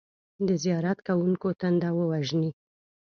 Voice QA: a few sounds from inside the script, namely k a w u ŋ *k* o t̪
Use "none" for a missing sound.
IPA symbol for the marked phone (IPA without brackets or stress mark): k